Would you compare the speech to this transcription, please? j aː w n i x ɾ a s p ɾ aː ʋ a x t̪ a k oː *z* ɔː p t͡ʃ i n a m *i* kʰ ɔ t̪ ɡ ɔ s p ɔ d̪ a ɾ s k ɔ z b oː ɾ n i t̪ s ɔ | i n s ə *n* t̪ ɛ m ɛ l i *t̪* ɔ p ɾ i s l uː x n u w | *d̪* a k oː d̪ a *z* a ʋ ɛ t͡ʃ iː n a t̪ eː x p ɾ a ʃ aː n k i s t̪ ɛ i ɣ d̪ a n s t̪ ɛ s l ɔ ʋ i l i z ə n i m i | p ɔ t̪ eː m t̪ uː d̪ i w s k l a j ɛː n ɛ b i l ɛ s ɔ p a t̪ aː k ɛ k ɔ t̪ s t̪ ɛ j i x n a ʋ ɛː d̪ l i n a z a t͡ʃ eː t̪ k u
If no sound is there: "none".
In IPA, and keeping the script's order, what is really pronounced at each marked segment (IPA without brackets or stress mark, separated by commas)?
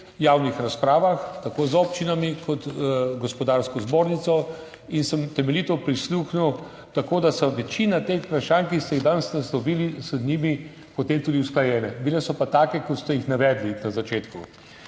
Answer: z, i, m, t̪, t̪, s